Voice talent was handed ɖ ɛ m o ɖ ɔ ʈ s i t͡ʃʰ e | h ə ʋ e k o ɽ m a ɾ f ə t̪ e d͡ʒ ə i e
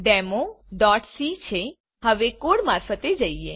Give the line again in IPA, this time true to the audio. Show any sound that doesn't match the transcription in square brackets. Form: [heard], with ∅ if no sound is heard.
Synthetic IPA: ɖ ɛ m o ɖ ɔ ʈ s i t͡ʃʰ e | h ə ʋ e k o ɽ m a ɾ f ə t̪ e d͡ʒ ə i e